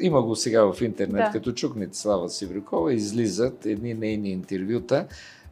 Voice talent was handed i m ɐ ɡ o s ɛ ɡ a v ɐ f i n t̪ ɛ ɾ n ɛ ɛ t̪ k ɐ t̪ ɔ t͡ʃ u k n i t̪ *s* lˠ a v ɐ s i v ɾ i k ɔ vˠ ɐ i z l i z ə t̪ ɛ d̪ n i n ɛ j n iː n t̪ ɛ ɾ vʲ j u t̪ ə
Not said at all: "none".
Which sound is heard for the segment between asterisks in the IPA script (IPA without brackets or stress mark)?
s